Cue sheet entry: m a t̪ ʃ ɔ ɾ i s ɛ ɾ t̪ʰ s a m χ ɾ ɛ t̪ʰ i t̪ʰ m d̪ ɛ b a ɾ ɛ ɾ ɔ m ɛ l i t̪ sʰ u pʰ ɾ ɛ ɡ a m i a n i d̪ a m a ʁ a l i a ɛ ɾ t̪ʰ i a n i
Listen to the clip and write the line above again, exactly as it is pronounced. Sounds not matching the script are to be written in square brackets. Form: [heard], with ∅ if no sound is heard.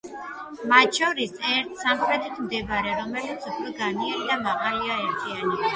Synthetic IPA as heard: m a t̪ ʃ ɔ ɾ i s ɛ ɾ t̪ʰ s a m χ ɾ ɛ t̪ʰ i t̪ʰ m d̪ ɛ b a ɾ ɛ ɾ ɔ m ɛ l i t̪ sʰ u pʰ ɾ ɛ ɡ a [n] i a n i d̪ a m a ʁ a l i a ɛ ɾ t̪ʰ i a n i